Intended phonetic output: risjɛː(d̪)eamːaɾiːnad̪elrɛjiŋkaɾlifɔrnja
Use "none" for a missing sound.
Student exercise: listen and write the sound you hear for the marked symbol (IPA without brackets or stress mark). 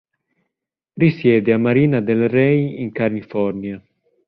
d̪